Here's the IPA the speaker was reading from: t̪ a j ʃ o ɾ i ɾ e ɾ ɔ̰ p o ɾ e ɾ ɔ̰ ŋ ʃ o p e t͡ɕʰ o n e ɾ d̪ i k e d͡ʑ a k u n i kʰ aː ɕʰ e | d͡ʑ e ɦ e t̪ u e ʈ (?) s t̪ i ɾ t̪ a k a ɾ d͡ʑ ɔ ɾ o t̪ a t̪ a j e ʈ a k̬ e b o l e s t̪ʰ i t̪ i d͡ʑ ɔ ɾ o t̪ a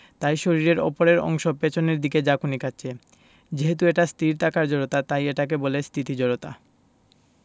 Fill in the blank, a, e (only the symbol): a